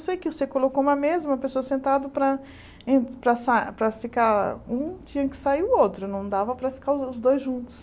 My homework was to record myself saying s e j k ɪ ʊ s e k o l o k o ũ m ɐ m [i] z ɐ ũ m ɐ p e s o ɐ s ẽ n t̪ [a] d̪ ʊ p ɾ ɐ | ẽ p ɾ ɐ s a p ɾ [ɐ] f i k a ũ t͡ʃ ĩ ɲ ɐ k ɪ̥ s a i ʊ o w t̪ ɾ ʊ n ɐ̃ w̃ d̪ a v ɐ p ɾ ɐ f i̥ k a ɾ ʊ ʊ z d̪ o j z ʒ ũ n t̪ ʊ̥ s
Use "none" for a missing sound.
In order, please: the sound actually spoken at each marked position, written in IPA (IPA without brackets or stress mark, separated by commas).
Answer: e, a, ɐ